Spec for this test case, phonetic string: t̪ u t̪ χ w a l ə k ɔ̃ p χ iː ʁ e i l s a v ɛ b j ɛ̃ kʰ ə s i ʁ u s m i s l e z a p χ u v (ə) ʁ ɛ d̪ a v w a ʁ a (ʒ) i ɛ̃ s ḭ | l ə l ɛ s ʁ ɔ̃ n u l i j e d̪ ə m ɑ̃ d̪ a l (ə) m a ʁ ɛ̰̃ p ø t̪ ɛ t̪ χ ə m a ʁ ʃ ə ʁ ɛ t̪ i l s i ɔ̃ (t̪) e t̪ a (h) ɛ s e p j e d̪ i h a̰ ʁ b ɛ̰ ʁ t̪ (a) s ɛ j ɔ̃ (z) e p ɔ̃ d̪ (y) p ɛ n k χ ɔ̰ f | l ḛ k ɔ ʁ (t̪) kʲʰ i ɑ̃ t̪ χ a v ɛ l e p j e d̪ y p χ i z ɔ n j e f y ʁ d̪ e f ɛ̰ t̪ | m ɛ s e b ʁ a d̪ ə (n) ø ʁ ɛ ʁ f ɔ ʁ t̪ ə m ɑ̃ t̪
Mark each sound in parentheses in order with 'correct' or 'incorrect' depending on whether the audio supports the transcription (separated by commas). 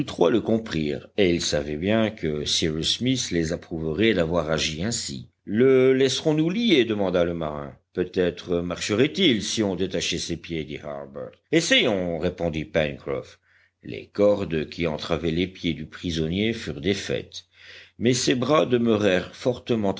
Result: correct, correct, correct, incorrect, incorrect, incorrect, incorrect, incorrect, incorrect, incorrect